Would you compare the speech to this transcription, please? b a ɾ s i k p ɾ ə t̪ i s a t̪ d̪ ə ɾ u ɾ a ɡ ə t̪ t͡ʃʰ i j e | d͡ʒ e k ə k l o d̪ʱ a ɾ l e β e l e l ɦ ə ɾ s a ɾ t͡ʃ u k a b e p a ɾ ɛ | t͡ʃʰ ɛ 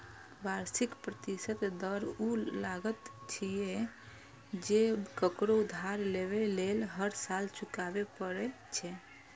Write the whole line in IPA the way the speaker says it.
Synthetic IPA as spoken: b a ɾ s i k p ɾ ə t̪ i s ə t̪ d̪ ə ɾ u l a ɡ ə t̪ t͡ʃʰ i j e | d͡ʒ e k ə k ɾ o d̪ʱ a ɾ l e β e l e l ɦ ə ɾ s a l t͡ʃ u k a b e p ə ɾ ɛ | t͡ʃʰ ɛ